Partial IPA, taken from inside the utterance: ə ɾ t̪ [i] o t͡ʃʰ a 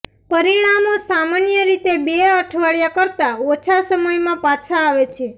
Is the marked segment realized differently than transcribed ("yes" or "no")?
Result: yes